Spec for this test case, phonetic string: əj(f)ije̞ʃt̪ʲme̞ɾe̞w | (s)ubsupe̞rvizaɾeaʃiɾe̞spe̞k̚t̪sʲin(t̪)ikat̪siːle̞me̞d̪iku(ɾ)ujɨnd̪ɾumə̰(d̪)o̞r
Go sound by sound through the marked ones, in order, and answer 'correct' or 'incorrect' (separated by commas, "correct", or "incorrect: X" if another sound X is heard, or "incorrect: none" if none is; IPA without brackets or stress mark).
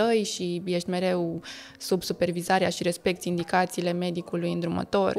incorrect: ʃ, correct, incorrect: d̪, incorrect: l, incorrect: t̪